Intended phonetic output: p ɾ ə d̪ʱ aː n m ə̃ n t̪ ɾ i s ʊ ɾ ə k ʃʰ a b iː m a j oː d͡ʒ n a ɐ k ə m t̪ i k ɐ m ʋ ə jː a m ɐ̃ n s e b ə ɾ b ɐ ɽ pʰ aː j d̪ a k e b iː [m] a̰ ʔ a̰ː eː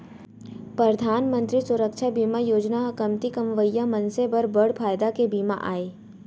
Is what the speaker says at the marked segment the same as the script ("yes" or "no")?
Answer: yes